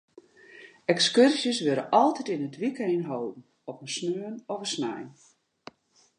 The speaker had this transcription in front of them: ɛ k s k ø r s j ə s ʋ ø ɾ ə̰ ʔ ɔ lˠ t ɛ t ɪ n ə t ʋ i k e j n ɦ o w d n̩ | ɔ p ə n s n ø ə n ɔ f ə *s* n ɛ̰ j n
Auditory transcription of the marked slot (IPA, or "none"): s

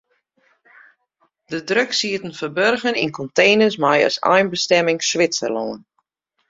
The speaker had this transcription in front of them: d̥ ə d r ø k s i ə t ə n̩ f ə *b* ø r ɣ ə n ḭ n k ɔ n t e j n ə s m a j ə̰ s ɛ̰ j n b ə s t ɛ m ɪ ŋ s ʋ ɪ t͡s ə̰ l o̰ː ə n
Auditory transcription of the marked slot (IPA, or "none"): b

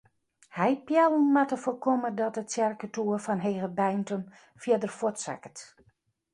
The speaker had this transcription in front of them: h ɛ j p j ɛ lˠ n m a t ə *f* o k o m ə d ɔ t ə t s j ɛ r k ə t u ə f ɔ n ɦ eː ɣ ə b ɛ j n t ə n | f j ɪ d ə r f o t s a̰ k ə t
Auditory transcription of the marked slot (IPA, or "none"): f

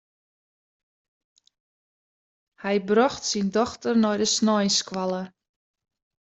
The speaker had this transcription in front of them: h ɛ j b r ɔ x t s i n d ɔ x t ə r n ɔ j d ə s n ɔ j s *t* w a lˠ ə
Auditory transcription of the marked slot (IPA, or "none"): k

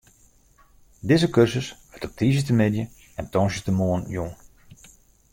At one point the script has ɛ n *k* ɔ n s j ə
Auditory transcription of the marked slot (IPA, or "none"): t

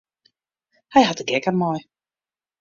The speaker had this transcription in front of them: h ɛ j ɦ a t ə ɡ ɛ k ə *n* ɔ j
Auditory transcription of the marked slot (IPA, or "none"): m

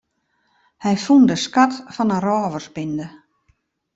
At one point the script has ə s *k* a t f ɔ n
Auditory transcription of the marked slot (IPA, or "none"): k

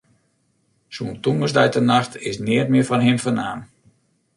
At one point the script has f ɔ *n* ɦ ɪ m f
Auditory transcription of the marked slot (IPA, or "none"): n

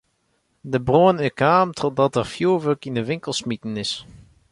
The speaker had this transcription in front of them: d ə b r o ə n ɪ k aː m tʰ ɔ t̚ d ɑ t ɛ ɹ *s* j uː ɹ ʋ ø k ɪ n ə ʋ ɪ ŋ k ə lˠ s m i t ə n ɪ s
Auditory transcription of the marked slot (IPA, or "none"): f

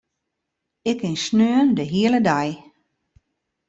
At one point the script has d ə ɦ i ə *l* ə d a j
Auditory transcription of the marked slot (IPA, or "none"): l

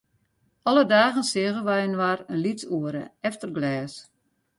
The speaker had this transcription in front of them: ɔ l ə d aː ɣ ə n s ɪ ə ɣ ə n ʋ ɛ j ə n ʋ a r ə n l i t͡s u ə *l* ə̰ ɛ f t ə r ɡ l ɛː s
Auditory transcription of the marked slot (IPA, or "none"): ɾ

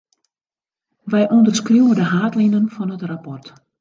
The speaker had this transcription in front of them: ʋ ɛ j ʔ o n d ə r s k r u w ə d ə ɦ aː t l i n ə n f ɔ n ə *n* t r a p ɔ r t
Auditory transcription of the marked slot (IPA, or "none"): none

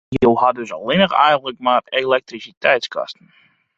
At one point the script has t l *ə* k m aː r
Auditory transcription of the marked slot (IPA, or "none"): ə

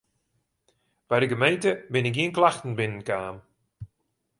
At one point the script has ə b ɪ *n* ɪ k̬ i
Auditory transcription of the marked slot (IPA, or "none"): n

